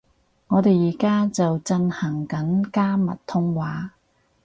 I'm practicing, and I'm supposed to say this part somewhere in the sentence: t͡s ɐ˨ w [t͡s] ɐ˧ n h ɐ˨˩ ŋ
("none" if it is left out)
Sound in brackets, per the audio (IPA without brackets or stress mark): t͡s